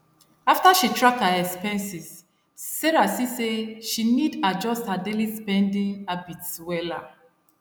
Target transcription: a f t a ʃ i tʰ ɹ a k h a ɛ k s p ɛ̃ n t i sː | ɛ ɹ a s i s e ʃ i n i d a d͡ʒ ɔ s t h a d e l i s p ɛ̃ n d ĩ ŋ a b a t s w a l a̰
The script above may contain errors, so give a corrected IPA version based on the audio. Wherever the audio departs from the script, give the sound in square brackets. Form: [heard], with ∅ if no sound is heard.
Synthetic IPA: a f t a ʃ i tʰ ɹ a k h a ɛ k s p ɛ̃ n [s] i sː | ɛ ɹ a s i s e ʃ i n i d a d͡ʒ ɔ s t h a d e l i s p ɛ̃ n d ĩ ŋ a b [i] t s w [ɛ] l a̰